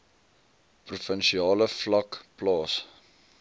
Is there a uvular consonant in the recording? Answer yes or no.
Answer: no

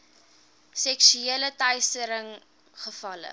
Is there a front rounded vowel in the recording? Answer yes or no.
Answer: yes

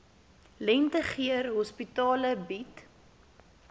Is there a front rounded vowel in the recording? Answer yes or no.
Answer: no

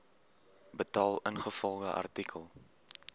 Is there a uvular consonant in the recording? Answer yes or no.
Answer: yes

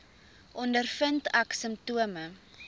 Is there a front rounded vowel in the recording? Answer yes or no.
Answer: no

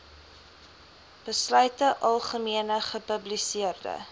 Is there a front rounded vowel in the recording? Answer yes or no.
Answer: yes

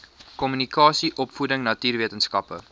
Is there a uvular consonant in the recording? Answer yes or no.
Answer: no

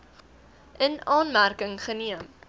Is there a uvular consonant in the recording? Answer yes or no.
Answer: yes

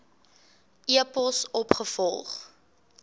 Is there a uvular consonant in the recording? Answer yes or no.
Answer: yes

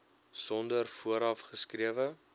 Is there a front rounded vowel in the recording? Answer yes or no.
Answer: no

